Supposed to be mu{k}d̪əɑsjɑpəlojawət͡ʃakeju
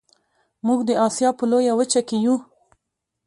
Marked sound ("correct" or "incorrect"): incorrect